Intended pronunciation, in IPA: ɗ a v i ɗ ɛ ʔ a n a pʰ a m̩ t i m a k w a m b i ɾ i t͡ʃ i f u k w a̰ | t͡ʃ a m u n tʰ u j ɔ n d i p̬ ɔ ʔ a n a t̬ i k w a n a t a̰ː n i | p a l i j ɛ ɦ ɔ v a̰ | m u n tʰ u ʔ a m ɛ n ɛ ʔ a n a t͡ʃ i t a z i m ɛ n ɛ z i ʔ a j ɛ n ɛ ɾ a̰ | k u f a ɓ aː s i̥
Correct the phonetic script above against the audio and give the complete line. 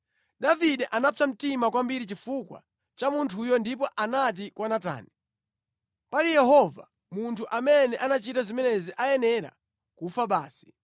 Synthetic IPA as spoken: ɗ a v i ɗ ɛ ʔ a n a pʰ a m̩ t i m a k w a m b i ɾ i t͡ʃ i f u k w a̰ | t͡ʃ a m u n tʰ u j ɔ n d i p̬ ɔ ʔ a n a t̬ i k w a n a t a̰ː n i | p a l i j ɛ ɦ ɔ v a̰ | m u n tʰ u ʔ a m ɛ n ɛ ʔ a n a t͡ʃ i t a z i m ɛ n ɛ z i ʔ a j ɛ n ɛ ɾ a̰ | k u f a ɓ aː s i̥